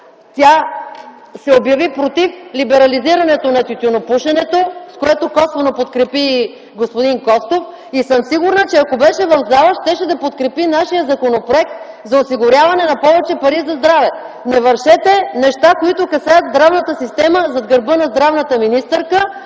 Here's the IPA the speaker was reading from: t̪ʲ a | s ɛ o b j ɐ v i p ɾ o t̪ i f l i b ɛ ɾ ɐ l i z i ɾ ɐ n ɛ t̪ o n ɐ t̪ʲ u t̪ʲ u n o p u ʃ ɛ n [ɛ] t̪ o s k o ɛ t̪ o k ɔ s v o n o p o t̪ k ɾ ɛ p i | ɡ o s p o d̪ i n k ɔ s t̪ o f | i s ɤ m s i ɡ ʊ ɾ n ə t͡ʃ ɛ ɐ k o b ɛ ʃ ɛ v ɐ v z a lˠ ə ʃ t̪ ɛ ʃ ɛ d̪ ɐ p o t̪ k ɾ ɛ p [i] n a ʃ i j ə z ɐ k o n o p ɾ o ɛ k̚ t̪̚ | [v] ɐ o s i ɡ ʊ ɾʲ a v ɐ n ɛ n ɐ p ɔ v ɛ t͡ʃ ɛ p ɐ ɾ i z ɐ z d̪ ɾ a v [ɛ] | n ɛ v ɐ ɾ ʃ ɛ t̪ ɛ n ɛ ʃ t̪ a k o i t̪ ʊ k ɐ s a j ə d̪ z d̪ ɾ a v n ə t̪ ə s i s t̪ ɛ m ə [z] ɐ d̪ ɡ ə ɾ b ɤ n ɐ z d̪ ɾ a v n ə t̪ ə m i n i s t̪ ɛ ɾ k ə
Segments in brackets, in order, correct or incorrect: correct, correct, incorrect: z, correct, correct

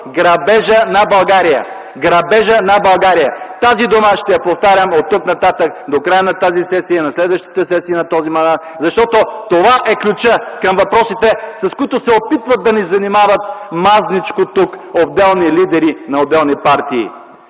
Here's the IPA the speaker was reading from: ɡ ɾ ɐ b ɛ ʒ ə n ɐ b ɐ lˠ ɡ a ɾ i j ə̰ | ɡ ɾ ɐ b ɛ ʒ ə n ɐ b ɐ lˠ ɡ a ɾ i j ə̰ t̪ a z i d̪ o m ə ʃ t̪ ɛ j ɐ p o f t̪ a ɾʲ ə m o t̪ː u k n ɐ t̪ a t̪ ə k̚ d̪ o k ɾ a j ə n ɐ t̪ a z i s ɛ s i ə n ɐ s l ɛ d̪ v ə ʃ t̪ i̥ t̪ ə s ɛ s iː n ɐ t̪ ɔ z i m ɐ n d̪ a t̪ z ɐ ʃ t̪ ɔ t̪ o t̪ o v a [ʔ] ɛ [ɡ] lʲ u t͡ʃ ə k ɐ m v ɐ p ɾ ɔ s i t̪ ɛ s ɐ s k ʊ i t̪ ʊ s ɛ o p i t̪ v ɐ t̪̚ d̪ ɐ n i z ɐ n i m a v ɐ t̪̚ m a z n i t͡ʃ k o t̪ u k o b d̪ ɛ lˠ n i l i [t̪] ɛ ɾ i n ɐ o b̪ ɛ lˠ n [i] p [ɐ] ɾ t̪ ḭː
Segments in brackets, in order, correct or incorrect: correct, incorrect: k, incorrect: d̪, correct, incorrect: a

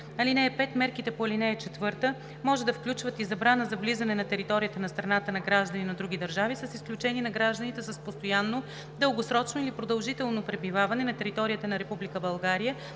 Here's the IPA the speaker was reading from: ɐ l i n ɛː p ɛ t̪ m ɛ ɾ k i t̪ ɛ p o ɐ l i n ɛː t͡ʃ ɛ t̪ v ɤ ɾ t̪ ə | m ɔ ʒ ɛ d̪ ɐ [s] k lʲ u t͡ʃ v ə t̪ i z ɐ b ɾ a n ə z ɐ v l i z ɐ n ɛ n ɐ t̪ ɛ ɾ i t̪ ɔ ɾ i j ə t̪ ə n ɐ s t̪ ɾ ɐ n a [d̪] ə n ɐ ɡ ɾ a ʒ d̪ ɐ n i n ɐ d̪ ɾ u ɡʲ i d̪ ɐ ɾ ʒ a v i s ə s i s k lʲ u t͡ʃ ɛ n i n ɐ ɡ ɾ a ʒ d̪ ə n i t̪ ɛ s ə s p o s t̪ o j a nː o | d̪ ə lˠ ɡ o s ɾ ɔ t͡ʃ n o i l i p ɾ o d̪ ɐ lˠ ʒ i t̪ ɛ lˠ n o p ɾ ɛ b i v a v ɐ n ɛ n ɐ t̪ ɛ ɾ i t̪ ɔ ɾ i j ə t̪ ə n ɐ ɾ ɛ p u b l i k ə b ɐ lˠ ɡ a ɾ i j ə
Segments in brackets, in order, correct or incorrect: incorrect: f, incorrect: t̪

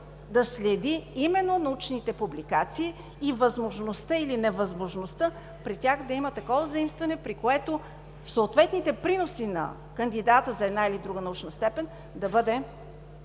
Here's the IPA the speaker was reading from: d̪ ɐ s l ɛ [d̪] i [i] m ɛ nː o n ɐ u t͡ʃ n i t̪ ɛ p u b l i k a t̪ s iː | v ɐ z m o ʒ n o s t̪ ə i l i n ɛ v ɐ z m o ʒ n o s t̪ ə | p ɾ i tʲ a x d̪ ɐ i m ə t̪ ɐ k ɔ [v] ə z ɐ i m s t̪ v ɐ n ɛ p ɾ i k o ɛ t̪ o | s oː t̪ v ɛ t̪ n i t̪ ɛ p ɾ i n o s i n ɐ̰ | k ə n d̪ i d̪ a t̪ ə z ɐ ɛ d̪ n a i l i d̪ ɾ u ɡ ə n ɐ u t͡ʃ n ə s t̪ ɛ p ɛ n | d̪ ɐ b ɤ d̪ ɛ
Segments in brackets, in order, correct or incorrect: correct, correct, correct

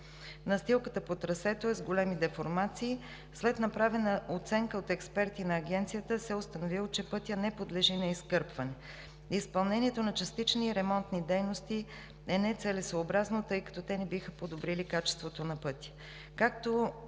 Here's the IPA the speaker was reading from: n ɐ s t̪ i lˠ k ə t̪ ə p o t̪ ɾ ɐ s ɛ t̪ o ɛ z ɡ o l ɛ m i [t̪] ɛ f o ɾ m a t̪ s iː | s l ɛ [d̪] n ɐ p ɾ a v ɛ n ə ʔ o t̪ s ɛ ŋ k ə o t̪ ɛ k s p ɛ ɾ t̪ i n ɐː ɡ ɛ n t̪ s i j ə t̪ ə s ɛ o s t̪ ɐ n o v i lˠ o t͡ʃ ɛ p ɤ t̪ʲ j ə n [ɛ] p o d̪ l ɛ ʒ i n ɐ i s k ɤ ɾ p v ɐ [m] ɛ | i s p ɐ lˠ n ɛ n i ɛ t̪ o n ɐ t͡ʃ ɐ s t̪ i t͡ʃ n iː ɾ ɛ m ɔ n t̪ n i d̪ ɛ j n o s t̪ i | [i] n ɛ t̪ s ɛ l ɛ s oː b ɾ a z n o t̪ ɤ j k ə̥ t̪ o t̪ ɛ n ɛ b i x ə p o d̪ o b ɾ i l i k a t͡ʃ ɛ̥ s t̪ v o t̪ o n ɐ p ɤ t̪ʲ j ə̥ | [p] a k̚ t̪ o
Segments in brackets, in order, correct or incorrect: incorrect: d̪, incorrect: t̪, correct, incorrect: n, incorrect: ɛ, incorrect: k

